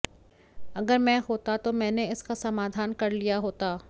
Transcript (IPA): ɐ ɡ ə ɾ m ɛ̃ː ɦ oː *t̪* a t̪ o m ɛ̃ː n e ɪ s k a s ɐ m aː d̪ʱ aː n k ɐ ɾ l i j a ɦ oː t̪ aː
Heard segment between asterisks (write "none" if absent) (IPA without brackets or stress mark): t̪